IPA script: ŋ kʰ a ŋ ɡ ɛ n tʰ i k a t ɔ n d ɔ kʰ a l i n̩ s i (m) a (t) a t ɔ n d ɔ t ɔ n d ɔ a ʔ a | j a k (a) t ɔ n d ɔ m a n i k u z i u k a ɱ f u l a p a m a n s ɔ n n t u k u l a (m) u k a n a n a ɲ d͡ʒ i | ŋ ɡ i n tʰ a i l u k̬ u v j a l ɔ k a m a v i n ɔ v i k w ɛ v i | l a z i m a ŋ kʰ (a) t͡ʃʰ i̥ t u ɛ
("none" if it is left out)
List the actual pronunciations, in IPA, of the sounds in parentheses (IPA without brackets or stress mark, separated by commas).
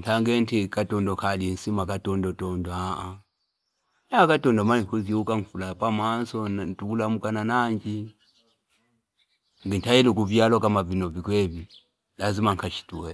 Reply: m, k, a, m, a